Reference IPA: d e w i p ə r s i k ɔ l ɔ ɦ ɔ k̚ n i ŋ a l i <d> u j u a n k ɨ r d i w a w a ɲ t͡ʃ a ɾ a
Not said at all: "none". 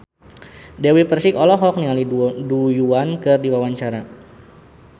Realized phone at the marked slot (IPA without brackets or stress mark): d